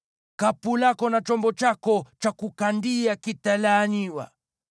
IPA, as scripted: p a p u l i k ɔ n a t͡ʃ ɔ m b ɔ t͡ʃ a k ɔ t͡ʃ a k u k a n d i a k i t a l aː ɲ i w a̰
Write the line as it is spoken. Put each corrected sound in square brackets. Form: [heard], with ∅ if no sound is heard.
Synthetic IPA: [k] a p u l [a] k ɔ n a t͡ʃ ɔ m b ɔ t͡ʃ a k ɔ t͡ʃ a k u k a n d i a k i t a l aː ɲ i w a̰